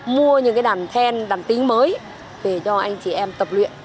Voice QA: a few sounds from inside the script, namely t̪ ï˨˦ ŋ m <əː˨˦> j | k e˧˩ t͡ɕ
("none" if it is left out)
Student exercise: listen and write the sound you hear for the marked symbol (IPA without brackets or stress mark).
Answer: əː˨˦